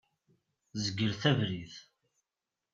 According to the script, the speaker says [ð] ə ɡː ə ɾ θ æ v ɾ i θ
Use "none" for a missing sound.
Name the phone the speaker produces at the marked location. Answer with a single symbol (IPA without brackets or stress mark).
z